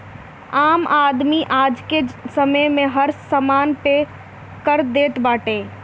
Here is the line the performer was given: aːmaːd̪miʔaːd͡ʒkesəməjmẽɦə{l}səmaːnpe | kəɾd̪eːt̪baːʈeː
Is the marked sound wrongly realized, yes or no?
yes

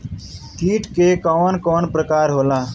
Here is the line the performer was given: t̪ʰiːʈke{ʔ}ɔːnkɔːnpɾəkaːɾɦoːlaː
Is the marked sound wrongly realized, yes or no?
yes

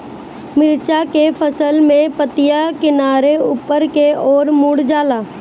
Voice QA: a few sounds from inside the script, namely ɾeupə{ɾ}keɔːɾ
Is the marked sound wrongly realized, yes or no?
no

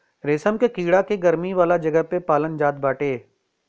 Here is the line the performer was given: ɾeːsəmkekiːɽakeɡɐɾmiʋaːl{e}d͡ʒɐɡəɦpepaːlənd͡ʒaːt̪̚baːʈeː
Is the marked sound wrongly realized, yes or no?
yes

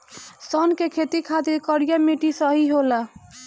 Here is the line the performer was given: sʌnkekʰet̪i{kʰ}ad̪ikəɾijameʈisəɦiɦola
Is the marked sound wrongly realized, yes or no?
no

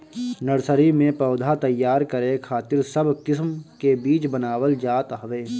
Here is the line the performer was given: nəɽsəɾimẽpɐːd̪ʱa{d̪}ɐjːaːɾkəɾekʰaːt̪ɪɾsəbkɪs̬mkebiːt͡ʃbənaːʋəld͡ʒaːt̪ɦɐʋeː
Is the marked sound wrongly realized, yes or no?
yes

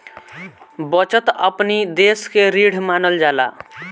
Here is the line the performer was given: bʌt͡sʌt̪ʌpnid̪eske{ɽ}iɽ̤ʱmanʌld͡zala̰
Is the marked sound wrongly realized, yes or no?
yes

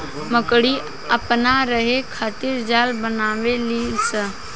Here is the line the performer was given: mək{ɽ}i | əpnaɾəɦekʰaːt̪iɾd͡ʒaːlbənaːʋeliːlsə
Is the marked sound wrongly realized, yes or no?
no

